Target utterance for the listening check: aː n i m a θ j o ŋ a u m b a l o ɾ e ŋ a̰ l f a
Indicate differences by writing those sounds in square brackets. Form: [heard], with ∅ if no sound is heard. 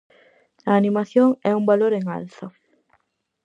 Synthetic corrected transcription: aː n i m a θ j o ŋ [ɛ] u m b a l o ɾ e ŋ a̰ l [θ] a